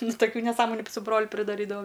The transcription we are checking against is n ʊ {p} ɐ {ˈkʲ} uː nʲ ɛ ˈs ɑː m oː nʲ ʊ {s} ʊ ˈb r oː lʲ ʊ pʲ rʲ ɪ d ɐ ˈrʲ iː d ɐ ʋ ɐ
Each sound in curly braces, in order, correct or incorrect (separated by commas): incorrect, correct, correct